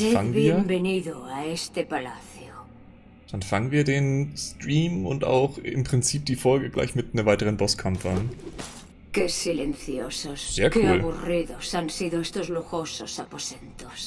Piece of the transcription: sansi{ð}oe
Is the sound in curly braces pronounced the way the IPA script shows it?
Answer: yes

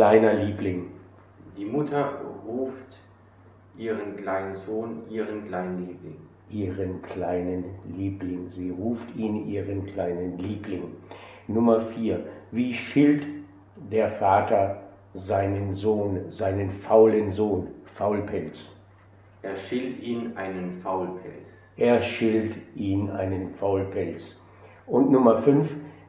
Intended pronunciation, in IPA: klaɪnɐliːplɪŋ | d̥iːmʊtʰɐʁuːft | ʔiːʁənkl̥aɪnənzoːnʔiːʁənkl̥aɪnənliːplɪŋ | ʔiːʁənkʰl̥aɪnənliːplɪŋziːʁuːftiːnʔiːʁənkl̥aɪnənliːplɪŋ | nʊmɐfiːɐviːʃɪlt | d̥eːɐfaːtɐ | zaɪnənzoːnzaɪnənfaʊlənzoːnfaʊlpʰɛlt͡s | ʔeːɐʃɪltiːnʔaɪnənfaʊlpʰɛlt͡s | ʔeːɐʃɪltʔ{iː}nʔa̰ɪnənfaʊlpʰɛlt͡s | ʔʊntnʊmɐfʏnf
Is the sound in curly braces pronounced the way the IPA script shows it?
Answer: yes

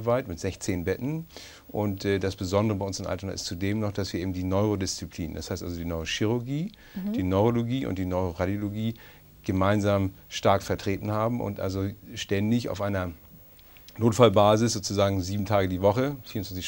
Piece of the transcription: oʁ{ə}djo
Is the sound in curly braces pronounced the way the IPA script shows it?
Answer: no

